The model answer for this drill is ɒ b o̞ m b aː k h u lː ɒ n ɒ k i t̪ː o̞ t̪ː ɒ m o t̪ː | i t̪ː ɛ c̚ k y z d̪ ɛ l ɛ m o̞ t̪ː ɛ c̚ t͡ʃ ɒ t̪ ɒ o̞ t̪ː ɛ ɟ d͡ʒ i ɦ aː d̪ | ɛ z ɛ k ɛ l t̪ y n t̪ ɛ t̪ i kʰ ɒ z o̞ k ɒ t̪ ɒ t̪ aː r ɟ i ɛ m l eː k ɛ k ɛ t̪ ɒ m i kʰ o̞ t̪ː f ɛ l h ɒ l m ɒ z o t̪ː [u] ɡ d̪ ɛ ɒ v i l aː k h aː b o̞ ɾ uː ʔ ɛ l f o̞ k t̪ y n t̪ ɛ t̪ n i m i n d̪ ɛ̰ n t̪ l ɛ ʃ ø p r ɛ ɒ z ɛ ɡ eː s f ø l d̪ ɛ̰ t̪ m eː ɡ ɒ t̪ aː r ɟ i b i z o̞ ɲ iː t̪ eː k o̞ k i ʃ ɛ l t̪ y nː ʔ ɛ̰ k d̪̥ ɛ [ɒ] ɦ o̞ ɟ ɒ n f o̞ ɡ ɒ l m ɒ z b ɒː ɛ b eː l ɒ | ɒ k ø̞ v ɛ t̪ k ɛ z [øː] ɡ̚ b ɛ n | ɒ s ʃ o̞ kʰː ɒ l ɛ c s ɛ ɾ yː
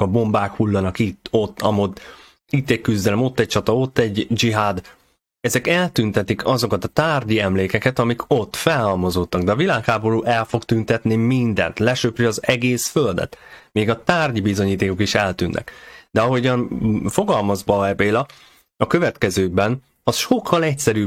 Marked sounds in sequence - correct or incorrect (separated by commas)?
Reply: incorrect, correct, correct